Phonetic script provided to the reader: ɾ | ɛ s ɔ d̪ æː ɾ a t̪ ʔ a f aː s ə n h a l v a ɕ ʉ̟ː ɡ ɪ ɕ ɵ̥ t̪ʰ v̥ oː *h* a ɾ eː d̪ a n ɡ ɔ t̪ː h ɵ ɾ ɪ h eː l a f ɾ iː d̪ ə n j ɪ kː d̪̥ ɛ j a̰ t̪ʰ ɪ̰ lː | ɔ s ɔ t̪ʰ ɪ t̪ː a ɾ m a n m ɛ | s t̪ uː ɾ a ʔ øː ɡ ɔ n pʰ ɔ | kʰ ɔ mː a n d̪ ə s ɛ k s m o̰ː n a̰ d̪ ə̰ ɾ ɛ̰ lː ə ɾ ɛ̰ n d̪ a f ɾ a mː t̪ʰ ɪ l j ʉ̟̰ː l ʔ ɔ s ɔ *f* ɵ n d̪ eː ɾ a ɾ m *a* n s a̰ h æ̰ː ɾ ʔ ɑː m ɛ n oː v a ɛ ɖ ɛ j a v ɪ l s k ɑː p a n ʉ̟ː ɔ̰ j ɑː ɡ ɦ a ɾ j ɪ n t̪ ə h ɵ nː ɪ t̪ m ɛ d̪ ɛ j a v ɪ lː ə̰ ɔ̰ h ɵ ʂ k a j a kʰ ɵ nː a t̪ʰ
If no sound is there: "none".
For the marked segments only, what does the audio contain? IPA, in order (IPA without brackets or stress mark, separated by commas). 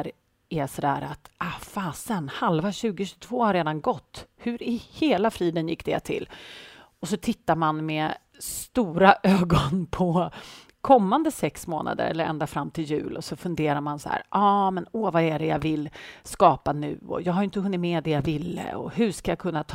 h, f, a